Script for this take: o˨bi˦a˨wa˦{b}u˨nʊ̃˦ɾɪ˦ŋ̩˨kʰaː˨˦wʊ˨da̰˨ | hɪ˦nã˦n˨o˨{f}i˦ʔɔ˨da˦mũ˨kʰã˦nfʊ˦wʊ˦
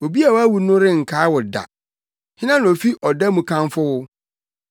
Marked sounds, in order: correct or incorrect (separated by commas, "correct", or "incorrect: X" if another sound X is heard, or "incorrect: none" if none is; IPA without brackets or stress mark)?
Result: incorrect: w, correct